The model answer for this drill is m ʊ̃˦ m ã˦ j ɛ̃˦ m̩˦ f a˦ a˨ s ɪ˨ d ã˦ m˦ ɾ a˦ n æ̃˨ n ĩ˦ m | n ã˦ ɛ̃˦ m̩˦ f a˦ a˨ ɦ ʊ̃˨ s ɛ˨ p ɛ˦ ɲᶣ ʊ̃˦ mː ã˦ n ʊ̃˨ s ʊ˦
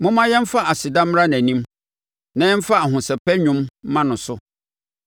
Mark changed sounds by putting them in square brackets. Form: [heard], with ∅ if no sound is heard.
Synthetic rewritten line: m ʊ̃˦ m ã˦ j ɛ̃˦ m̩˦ f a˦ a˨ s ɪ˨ d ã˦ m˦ ɾ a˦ n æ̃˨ n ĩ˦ m | n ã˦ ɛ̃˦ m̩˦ f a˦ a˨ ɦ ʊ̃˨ s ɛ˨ p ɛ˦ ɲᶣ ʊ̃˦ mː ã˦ n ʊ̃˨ s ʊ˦